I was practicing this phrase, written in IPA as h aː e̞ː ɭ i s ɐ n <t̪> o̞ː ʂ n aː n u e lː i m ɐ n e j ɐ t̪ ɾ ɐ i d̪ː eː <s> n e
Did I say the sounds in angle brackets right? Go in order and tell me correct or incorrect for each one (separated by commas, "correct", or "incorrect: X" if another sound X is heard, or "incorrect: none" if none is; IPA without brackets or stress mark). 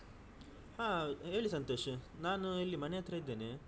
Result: correct, incorrect: none